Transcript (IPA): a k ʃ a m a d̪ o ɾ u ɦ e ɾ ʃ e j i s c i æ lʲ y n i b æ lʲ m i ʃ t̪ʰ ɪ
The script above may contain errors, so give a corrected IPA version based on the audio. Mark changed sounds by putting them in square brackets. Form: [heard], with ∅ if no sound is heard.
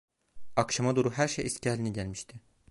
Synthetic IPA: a k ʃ a m a d̪ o ɾ u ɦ [æ] ɾ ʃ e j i s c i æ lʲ [i] n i [ɟ] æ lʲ m i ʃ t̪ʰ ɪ